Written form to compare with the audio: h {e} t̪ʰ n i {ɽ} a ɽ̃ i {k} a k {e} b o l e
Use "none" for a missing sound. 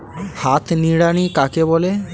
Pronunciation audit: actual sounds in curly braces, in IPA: a, ɽ, k, e

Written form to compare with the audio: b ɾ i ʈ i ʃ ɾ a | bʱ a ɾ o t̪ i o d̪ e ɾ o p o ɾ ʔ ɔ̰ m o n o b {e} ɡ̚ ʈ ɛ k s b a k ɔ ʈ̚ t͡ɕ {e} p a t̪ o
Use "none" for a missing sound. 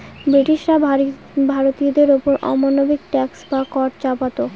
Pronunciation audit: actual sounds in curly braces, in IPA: i, a

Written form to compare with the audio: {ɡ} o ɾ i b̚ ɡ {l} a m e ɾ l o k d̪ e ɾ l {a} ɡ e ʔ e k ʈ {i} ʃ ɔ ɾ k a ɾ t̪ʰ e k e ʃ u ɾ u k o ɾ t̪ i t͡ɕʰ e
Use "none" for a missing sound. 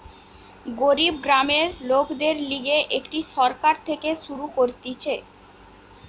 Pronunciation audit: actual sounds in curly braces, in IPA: ɡ, ɾ, i, i

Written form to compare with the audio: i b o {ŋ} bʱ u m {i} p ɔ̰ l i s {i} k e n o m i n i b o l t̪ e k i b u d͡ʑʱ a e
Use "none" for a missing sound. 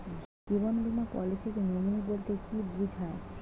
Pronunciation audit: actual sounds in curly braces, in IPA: n, a, i

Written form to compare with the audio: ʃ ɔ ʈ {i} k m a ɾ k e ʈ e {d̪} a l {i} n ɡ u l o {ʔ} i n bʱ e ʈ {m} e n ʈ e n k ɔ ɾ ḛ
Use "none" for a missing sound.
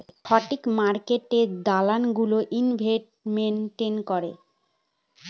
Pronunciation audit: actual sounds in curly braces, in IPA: i, d̪, a, ʔ, m

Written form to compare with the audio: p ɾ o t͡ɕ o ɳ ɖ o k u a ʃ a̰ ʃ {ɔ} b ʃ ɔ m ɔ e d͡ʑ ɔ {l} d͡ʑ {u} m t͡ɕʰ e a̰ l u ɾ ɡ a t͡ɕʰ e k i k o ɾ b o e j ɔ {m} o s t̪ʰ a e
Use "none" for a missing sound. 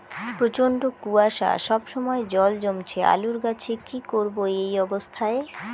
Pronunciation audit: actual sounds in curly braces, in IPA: ɔ, l, o, b

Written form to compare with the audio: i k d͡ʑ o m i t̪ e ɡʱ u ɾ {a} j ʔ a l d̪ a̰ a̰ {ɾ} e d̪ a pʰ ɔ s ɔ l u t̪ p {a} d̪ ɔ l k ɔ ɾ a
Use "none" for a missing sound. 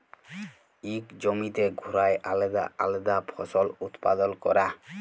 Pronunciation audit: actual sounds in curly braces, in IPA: a, l, a

